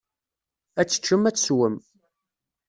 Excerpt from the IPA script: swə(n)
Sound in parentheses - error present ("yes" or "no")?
yes